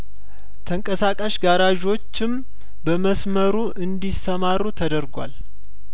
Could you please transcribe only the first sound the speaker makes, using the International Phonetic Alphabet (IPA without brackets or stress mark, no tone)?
t̪ʰ